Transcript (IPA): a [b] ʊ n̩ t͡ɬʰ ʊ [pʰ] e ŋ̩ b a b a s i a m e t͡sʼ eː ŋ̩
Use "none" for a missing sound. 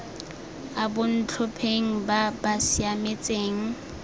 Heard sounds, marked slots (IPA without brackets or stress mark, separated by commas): b, pʰ